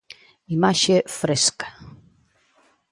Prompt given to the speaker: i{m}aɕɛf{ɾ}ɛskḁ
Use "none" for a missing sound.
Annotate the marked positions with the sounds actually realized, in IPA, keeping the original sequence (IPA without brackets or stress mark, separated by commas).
m, ɾ